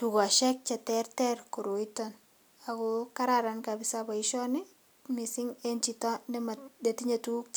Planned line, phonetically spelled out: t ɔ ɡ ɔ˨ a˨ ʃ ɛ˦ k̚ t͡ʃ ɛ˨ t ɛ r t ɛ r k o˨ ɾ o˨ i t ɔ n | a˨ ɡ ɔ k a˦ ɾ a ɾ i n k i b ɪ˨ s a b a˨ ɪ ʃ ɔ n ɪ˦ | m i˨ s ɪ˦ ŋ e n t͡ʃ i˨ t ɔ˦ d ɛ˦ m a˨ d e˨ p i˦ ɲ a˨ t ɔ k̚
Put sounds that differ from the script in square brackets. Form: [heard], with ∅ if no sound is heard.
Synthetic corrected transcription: t [u] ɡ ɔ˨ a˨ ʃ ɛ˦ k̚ t͡ʃ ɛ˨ t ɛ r t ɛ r k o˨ ɾ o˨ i t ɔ n | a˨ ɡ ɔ k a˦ ɾ a ɾ [a] n k [a] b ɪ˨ s a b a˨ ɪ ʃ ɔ n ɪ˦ | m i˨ s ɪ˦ ŋ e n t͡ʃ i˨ t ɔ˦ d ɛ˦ m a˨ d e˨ [t] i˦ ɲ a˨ t [u] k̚